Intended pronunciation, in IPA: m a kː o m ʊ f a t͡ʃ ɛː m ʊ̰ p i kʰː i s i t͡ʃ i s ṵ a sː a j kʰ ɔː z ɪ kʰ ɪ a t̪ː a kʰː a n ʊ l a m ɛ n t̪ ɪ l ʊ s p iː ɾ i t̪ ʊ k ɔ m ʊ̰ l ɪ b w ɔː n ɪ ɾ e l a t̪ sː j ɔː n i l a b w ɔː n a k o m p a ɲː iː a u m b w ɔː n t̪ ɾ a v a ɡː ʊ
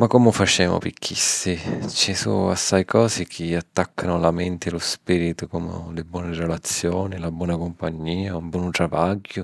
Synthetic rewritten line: m a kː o m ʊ f a t͡ʃ ɛː m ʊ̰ p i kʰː i s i t͡ʃ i s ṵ a sː a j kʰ ɔː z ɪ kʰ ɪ a t̪ː a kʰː a n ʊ l a m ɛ n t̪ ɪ l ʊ s p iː ɾ i t̪ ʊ k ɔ m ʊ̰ l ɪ b w ɔː n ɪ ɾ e l a t̪ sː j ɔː n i l a b w ɔː n a k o m p a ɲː iː a u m b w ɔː n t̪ ɾ a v a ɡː ʊ

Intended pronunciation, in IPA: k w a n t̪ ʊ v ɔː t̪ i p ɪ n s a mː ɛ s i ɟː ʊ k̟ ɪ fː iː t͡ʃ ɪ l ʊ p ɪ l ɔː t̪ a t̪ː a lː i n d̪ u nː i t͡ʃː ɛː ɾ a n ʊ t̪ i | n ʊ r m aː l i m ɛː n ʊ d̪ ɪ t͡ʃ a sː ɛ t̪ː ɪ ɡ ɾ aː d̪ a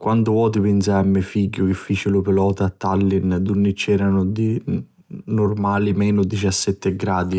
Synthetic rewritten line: k w a n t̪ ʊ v ɔː t̪ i p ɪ n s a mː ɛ f i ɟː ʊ k̟ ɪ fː iː t͡ʃ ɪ l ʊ p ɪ l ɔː t̪ a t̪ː a lː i n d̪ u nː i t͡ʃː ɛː ɾ a n ʊ d̪ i | n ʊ r m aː l i m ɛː n ʊ d̪ i t͡ʃ a sː ɛ t̪ː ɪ ɡ ɾ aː d̪ i

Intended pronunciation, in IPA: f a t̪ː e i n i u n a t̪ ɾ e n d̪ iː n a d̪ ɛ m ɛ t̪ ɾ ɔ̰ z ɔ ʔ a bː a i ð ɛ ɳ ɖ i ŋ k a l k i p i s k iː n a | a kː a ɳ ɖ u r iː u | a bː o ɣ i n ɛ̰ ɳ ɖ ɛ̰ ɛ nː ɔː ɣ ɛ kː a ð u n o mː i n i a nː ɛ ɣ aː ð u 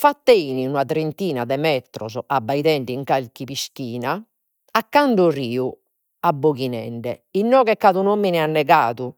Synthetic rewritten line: f a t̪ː e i n i u n a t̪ ɾ e n t̪ iː n a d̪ ɛ m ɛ t̪ ɾ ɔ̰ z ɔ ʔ a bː a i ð ɛ ɳ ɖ i ŋ k a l k i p i s k iː n a | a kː a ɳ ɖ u r iː u | a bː o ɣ i n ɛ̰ ɳ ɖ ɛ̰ i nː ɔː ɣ ɛ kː a ð u n o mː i n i a nː ɛ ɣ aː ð u

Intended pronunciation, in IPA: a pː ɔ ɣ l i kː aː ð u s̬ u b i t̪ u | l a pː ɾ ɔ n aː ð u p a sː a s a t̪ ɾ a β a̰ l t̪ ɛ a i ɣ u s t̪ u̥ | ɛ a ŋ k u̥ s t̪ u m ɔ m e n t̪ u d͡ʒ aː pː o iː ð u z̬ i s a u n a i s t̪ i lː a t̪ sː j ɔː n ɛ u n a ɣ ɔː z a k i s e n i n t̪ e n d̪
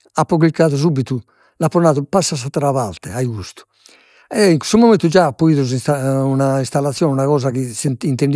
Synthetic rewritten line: a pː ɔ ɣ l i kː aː ð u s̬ u b i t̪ u | l a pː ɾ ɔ n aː ð u p a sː a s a t̪ ɾ a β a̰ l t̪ ɛ a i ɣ u s t̪ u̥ | ɛ i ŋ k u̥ s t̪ u m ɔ m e n t̪ u d͡ʒ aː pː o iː ð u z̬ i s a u n a i s t̪ a lː a t̪ sː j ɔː n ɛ u n a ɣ ɔː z a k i s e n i n t̪ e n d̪

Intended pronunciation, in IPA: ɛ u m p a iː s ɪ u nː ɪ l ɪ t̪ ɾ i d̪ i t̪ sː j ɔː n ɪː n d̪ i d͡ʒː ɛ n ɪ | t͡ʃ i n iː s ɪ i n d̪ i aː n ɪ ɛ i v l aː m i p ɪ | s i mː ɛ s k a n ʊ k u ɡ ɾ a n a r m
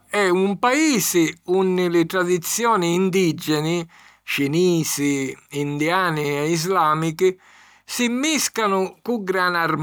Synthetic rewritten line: ɛ u m p a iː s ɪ u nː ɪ l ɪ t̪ ɾ a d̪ i t̪ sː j ɔː n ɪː n d̪ i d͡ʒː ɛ n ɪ | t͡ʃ i n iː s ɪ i n d̪ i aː n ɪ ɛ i z l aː m i k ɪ | s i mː i s k a n ʊ k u ɡ ɾ a n a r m

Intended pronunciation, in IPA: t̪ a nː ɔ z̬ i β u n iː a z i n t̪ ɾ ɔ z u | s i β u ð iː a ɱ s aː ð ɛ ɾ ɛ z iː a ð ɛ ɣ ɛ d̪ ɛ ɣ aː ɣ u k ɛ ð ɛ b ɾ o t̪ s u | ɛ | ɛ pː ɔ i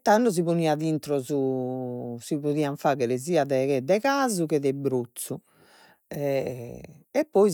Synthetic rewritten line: t̪ a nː ɔ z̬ i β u n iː a ð i n t̪ ɾ ɔ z u | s i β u ð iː a ɱ f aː ɣ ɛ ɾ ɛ z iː a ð ɛ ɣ ɛ d̪ ɛ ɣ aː z u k ɛ ð ɛ b ɾ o t̪ s u | ɛ | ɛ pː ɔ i

